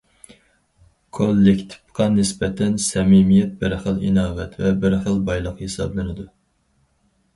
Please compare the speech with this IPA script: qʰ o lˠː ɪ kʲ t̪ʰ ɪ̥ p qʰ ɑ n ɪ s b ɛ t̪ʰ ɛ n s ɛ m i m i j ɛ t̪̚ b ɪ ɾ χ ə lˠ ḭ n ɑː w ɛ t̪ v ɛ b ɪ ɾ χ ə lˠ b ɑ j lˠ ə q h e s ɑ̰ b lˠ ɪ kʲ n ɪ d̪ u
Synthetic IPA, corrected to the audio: kʰ o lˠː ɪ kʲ t̪ʰ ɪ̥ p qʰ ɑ n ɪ s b ɛ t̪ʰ ɛ n s ɛ m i m i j ɛ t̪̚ b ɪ ɾ χ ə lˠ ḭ n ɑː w ɛ t̪ v ɛ b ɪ ɾ χ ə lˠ b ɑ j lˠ ə q h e s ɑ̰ b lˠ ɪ n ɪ d̪ u